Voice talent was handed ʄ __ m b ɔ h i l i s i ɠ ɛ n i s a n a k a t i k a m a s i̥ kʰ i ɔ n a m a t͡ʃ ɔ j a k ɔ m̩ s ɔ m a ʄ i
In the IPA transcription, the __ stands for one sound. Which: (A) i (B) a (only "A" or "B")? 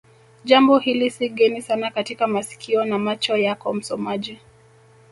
B